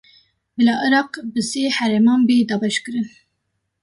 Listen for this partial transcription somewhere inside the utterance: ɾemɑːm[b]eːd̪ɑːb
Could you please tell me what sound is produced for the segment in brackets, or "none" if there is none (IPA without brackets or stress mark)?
b